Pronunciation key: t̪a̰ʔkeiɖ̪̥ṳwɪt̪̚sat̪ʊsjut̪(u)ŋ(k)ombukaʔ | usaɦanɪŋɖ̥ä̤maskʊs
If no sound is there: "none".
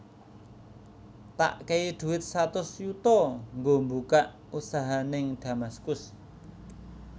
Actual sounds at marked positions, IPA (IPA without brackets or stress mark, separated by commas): ɔ, ɡ